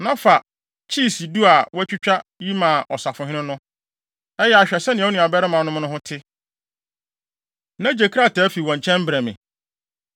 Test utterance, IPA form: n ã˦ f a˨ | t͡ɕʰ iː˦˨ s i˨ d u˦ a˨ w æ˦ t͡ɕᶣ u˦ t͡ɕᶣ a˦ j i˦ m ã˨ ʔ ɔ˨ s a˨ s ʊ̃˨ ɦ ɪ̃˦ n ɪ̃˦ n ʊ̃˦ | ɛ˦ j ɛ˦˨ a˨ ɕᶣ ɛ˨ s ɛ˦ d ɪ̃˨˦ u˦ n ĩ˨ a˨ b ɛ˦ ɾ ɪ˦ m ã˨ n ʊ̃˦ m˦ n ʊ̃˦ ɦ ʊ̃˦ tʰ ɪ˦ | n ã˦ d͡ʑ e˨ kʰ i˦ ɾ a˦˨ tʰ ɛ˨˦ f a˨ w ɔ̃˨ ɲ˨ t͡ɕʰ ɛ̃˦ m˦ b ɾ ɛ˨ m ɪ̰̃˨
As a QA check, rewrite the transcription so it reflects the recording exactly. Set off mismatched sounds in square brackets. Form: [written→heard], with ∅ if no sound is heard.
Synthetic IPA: n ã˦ f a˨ | t͡ɕʰ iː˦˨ s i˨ d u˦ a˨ w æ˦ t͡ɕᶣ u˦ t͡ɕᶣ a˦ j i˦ m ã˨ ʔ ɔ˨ s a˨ [s→f] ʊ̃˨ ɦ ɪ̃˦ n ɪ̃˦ n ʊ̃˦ | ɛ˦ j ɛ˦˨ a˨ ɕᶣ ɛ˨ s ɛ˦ [d→n] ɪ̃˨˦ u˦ n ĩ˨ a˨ b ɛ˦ ɾ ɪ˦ m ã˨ n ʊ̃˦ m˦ n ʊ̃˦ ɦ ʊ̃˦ tʰ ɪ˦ | n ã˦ d͡ʑ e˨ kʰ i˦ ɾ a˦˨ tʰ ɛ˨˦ f [a˨→i˨] w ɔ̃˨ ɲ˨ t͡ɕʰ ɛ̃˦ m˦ b ɾ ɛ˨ m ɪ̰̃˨